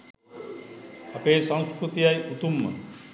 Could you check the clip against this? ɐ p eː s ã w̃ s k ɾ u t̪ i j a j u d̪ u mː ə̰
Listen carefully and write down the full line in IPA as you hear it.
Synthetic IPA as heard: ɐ p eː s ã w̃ s k ɾ u t̪ i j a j u t̪ u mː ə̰